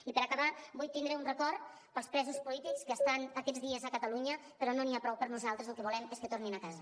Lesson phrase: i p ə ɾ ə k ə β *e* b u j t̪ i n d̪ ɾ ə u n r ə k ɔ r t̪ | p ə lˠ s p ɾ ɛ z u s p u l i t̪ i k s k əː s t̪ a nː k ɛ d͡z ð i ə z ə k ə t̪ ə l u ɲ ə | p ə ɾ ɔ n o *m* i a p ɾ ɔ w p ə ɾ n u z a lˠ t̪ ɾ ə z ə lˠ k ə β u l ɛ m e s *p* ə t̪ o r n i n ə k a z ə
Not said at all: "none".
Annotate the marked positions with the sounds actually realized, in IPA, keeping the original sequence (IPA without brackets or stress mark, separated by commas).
a, n, k